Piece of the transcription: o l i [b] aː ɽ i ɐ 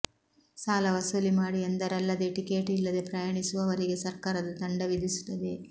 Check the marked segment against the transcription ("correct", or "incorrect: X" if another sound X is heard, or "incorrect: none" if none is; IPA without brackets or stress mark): incorrect: m